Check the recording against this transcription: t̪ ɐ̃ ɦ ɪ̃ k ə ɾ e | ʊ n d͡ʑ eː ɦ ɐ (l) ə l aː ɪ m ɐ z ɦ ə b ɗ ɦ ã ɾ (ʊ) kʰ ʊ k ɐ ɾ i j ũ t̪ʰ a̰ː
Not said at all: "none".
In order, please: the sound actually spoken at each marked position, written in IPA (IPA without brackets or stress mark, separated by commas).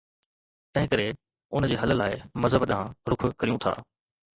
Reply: l, ʊ